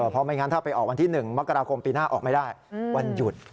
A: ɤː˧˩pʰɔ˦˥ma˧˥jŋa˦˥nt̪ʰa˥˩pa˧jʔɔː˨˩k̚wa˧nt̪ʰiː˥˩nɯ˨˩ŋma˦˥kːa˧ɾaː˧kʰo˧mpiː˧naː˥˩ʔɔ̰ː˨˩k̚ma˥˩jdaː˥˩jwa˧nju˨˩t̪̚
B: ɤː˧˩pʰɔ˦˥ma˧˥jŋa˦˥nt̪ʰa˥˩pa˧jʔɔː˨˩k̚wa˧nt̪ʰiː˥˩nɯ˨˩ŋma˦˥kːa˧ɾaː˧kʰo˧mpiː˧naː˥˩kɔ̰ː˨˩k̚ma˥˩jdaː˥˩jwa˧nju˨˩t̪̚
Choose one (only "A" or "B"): A